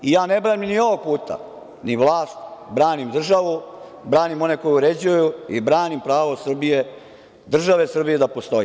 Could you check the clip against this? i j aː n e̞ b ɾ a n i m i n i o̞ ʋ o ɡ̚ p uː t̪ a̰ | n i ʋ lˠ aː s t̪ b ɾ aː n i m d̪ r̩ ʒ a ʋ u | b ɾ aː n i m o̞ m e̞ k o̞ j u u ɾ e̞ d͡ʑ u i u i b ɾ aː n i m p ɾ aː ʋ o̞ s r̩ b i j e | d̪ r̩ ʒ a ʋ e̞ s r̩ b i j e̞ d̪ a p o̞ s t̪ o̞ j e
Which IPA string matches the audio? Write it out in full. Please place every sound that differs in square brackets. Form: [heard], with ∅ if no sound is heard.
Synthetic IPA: i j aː n e̞ b ɾ a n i m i n i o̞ ʋ o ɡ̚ p uː t̪ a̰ | n i ʋ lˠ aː s t̪ b ɾ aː n i m d̪ r̩ ʒ a ʋ u | b ɾ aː n i m o̞ [n] e̞ k o̞ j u u ɾ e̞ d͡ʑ u [j] u i b ɾ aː n i m p ɾ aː ʋ o̞ s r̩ b i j e | d̪ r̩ ʒ a ʋ e̞ s r̩ b i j e̞ d̪ a p o̞ s t̪ o̞ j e